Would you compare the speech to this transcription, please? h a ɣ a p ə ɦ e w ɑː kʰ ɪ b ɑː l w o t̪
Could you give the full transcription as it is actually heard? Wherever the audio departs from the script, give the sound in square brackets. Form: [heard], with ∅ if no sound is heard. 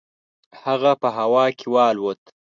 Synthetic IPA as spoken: h a ɣ a p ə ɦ [a] w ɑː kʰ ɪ [w] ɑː l w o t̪